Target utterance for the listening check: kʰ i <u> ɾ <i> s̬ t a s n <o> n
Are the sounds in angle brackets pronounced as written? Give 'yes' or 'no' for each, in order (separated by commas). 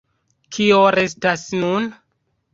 no, no, no